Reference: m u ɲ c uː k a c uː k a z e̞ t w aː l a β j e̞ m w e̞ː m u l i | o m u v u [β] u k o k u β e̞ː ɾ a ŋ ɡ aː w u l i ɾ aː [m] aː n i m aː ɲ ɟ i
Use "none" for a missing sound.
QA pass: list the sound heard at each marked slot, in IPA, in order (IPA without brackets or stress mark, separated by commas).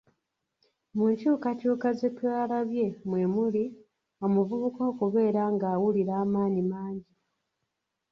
β, m